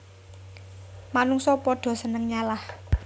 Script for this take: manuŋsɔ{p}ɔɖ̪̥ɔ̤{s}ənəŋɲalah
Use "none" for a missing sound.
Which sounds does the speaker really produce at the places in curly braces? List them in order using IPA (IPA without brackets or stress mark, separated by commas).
p, s